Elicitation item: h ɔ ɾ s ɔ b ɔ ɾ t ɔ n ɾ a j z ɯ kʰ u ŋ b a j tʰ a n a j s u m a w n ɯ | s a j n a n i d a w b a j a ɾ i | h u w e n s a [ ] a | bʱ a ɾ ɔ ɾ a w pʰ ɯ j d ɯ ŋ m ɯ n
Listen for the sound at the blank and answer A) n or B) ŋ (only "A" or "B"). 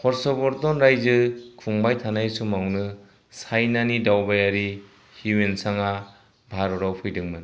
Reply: B